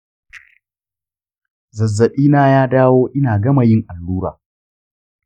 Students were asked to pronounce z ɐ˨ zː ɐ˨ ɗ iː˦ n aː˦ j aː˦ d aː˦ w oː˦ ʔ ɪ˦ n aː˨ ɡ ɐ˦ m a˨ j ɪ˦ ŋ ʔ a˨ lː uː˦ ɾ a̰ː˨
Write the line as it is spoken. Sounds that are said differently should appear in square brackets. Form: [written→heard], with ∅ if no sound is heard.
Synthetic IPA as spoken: z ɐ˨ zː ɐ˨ ɗ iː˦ n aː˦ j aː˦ d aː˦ w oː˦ ʔ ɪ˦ n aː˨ ɡ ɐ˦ m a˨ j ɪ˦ ŋ ʔ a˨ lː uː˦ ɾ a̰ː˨